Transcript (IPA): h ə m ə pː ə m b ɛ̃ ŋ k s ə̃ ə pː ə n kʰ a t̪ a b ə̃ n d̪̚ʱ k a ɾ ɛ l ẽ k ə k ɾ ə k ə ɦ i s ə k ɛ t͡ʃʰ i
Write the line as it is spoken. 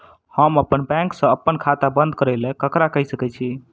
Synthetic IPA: h ə m ə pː ə n b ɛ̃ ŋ k s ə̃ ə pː ə n kʰ a t̪ a b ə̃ n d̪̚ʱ k ə ɾ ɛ l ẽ k ə k ɾ a k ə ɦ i s ə k ɛ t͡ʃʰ i

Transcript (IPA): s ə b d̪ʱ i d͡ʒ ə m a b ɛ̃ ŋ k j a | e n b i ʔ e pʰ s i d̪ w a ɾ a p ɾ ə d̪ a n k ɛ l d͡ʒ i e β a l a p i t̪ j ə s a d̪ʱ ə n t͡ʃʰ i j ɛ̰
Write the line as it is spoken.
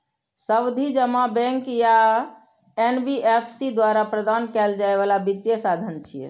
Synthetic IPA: s ə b d̪ʱ i d͡ʒ ə m a b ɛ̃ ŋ k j a | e n b i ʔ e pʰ s i d̪ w a ɾ a p ɾ ə d̪ a n k ɛ l d͡ʒ a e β a l a b i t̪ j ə s a d̪ʱ ə n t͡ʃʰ i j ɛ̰

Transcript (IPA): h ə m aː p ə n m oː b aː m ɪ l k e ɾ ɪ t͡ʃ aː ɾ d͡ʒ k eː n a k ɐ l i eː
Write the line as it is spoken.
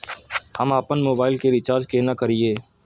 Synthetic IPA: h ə m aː p ə n m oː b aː ɪ l k e ɾ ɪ t͡ʃ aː ɾ d͡ʒ k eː n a k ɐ ɾ i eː

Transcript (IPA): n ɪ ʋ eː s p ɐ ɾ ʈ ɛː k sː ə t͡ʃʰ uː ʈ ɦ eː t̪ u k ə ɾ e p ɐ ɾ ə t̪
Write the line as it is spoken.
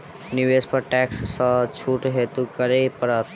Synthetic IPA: n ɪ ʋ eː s p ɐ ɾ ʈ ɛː k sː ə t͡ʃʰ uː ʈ ɦ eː t̪ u k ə ɾ e p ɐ ɾ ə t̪

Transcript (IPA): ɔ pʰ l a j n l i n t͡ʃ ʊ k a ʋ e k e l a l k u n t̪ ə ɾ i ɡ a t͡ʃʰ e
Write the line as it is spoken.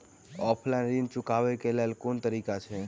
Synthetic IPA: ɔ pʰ l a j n ɾ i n t͡ʃ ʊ k a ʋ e k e l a l k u n t̪ ə ɾ i k a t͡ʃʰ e

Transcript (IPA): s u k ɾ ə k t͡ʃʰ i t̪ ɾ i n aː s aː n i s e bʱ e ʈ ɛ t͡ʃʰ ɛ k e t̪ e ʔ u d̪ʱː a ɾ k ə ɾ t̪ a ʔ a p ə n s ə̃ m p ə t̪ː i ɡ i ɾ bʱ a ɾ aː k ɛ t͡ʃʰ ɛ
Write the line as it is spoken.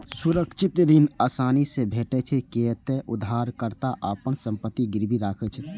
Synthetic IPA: s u ɾ ə k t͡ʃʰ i t̪ ɾ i n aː s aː n i s e bʱ e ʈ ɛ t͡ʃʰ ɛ k e t̪ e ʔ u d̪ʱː a ɾ k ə ɾ t̪ a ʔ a p ə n s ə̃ m p ə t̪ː i ɡ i ɾ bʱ i ɾ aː kʰ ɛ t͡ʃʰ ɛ

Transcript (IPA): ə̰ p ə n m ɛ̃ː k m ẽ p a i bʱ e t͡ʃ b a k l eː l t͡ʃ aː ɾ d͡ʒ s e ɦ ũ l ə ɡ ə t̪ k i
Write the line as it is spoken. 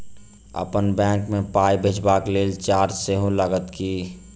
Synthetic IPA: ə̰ p ə n b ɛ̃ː k m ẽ p a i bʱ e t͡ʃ b a k l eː l t͡ʃ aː ɾ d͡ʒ s e ɦ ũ l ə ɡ ə t̪ k i

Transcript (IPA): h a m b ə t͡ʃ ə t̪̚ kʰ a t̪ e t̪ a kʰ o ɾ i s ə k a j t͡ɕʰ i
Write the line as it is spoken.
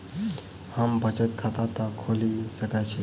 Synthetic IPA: h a m b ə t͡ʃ ə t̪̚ kʰ a t̪ a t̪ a kʰ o l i s ə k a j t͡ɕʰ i

